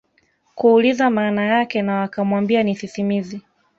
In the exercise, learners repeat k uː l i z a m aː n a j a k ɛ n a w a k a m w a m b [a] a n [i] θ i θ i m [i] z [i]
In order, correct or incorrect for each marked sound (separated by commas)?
incorrect, correct, correct, correct